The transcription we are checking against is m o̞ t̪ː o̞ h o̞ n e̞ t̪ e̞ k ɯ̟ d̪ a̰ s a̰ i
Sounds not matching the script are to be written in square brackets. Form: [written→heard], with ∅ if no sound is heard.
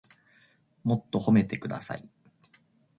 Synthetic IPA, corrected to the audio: m o̞ t̪ː o̞ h o̞ [n→m] e̞ t̪ e̞ k ɯ̟ d̪ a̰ s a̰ i